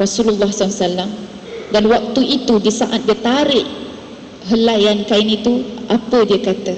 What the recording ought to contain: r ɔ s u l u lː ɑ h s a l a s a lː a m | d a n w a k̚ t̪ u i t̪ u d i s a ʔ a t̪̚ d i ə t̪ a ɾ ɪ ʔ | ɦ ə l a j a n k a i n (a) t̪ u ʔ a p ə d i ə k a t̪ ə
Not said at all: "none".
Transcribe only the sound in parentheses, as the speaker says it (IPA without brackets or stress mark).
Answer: i